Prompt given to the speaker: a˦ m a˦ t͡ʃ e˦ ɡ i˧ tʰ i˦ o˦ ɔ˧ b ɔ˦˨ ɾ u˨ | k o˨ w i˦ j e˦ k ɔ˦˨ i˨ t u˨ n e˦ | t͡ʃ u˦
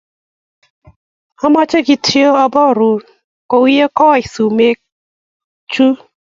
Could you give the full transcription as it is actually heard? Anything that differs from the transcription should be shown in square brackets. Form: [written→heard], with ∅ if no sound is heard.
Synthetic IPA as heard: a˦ m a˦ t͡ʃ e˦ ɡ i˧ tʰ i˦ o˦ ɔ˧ b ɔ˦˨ ɾ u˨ | k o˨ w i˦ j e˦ k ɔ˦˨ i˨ [t→s] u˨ [n→m] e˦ | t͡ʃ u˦